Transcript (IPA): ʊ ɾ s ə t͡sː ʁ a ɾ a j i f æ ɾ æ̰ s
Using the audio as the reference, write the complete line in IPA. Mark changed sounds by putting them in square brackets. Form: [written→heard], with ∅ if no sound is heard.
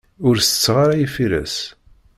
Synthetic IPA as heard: ʊ ɾ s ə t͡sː ʁ a ɾ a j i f [æ→i] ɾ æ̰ s

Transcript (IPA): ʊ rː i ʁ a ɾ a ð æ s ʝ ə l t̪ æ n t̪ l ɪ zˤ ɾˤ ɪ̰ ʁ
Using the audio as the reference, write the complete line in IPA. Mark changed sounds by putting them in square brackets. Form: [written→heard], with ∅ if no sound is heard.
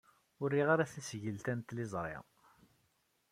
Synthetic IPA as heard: ʊ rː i ʁ a ɾ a [ð→θ] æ s ʝ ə l t̪ æ n t̪ l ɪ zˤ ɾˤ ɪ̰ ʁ

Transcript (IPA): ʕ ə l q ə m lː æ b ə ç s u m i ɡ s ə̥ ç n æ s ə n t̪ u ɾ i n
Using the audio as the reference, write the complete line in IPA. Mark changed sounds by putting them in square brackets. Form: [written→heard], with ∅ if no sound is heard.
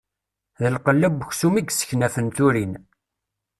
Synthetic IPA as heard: [ʕ→ð] ə l q ə [m→∅] lː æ b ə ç s u m i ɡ s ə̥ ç n æ [s→f] ə n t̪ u ɾ i n

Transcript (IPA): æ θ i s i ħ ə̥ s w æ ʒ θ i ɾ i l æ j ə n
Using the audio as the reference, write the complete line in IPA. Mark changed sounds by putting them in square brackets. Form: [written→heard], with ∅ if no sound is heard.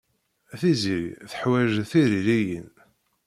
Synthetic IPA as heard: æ θ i [s→z] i [ħ→θ] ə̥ [s→ħ] w æ ʒ θ i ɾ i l [æ→i] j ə n

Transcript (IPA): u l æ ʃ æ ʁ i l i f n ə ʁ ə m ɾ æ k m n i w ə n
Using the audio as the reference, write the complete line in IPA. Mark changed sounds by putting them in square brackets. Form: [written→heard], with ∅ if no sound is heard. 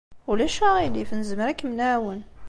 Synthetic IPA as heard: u l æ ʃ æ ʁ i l i f n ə [ʁ→z] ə m ɾ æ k m n [i→æ] w ə n

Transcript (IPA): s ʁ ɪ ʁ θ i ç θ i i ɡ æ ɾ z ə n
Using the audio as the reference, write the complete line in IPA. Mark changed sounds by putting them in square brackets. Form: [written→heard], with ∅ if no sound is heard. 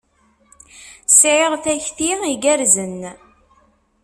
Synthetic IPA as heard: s [ʁ→ʕ] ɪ ʁ θ [i→æ] ç θ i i ɡ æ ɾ z ə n

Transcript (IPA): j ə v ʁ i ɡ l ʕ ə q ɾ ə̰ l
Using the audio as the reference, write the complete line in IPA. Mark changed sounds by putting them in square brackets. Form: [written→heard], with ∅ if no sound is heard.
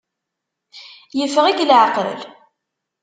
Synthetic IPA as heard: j ə [v→f] ʁ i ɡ l ʕ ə q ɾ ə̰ l

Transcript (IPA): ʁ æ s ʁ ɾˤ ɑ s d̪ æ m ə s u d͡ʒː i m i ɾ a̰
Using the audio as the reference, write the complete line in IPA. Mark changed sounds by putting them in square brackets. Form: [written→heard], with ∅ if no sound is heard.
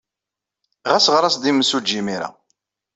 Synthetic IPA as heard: ʁ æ s ʁ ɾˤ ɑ s d̪ [æ→i] m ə s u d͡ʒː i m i ɾ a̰

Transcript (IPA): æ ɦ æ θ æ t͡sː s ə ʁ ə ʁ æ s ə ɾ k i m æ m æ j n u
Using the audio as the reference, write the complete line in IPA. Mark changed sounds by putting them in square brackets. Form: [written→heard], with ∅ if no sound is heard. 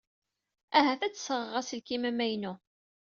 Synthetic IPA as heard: æ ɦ æ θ æ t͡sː s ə ʁ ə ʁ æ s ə [ɾ→l] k i m æ m æ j n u

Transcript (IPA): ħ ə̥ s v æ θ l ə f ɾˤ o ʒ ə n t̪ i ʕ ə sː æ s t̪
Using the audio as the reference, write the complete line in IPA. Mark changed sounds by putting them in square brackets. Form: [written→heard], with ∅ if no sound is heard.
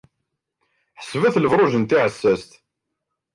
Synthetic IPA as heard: ħ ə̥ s v æ θ l ə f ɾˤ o ʒ ə n t̪ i ʕ ə sː æ s t̪

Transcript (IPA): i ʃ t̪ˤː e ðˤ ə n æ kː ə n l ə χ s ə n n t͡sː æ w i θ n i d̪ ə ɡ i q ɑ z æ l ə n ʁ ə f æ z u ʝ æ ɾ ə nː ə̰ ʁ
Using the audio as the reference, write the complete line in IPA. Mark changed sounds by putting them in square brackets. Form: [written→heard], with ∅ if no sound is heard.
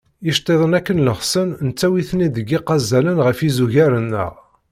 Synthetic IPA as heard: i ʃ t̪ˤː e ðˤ ə n æ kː ə n l ə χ s ə n n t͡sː æ w i θ n i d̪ ə ɡ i q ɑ z æ l ə n ʁ ə f [æ→i] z u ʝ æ ɾ ə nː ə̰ ʁ

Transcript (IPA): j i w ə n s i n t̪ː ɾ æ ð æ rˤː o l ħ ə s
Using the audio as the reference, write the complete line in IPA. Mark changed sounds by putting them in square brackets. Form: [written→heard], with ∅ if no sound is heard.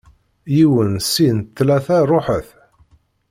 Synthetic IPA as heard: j i w ə n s i n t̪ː [ɾ→l] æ [ð→θ] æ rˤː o [l→∅] ħ ə [s→θ]

